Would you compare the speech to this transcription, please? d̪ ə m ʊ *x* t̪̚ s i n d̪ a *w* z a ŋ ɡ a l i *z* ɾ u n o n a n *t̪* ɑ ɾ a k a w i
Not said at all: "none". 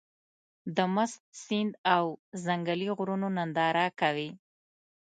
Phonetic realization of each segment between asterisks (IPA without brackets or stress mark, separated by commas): s, w, ɣ, d̪